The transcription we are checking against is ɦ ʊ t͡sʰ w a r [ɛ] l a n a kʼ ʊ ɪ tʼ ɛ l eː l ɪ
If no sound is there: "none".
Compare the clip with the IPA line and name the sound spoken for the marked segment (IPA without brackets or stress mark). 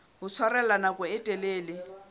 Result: ɛ